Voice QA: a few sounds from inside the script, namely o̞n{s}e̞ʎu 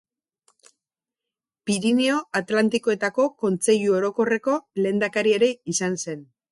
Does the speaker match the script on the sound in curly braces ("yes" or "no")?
no